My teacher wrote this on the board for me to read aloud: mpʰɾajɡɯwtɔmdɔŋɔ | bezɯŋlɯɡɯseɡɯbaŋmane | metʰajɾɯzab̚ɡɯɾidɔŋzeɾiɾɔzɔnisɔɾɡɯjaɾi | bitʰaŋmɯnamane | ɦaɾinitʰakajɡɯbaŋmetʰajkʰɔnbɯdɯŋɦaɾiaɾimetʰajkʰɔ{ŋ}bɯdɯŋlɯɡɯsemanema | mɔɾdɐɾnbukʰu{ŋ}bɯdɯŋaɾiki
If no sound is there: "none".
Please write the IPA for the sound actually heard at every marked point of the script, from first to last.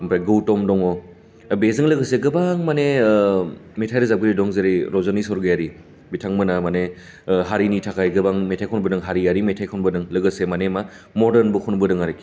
n, n

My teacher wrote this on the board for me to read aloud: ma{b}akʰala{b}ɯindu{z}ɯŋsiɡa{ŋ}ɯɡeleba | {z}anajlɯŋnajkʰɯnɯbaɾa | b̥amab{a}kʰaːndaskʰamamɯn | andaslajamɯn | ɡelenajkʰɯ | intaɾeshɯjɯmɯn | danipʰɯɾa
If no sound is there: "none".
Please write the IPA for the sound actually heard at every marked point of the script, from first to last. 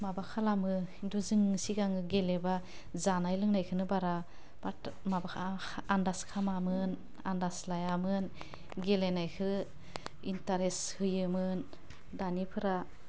b, m, z, ŋ, z, a

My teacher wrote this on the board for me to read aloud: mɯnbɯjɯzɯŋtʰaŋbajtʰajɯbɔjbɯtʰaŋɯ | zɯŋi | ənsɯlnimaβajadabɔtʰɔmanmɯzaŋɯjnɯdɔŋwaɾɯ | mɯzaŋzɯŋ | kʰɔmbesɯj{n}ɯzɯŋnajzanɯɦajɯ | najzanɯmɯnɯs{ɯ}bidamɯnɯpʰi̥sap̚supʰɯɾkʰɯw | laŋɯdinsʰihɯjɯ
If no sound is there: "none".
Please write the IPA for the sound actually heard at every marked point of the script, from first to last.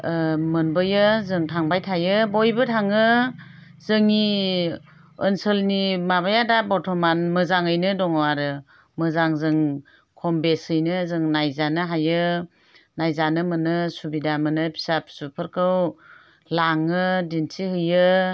n, u

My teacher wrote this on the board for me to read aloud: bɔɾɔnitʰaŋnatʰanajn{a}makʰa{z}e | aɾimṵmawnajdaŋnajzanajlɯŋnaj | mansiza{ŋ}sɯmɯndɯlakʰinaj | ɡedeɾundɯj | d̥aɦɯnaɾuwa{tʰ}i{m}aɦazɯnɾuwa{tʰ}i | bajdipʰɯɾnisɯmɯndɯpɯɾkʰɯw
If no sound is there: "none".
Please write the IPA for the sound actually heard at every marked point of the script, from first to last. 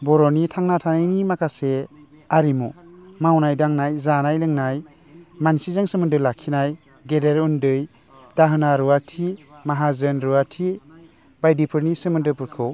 i, s, ŋ, tʰ, m, tʰ

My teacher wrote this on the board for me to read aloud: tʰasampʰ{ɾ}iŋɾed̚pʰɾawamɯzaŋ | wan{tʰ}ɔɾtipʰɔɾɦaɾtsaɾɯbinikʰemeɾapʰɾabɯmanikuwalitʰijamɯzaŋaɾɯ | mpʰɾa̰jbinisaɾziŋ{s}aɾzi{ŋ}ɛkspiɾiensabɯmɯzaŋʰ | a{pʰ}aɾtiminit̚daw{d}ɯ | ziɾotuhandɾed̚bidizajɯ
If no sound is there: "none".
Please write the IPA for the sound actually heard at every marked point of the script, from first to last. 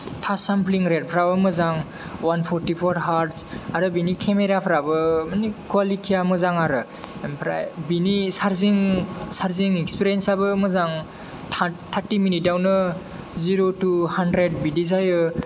l, pʰ, s, ŋ, tʰ, n

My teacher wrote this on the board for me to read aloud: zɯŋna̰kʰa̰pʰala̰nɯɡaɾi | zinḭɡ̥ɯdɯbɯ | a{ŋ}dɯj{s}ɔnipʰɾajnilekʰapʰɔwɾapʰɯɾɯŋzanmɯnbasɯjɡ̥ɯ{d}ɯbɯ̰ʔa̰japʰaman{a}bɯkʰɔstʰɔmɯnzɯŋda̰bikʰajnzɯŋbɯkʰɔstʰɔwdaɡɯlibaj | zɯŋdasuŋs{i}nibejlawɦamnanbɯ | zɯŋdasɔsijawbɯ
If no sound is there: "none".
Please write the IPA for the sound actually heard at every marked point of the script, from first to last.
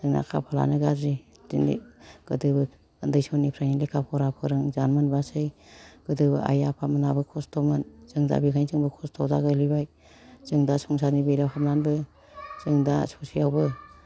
n, s, d, a, a

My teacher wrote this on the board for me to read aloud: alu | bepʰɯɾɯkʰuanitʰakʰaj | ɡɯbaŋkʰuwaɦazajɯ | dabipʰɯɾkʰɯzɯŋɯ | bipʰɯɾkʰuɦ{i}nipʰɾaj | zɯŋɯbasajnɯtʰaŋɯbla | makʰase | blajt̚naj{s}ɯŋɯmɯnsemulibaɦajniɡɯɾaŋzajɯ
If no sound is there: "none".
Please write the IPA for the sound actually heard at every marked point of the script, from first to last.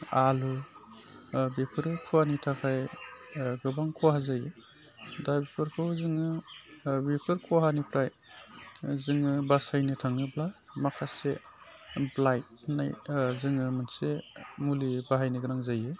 a, z

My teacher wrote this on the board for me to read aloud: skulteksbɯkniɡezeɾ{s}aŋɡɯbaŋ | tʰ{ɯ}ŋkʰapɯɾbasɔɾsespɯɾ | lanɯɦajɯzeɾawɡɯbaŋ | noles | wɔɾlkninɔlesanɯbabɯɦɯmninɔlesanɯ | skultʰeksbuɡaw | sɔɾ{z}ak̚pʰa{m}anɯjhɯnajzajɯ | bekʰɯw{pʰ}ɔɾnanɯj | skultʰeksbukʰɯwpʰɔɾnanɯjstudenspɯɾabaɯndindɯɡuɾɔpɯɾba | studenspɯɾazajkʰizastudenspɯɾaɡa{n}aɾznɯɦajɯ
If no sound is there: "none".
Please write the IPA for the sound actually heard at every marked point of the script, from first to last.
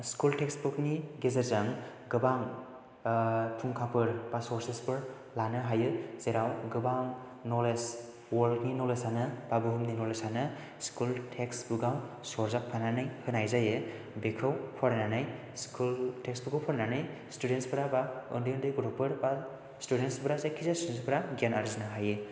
z, u, z, n, pʰ, n

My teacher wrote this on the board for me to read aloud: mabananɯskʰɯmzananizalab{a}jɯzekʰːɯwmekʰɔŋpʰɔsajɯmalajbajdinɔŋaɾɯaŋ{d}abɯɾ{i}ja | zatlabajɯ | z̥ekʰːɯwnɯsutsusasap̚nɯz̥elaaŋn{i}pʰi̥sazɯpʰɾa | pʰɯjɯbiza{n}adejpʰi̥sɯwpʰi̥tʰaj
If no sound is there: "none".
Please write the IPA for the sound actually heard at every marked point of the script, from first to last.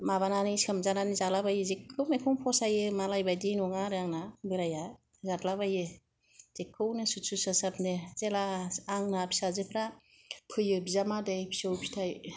a, n, a, a, m

